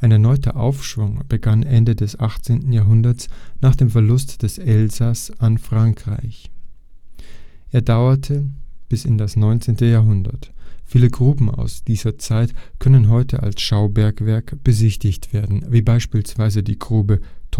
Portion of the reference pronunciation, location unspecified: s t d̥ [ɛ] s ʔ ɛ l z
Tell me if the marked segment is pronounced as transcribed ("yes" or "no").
yes